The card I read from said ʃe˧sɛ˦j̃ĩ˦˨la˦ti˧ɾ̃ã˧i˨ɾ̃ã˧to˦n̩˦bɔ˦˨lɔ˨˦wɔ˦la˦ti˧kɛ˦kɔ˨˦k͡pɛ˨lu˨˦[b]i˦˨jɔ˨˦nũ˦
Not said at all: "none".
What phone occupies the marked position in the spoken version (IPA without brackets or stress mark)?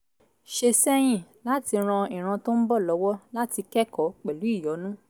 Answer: none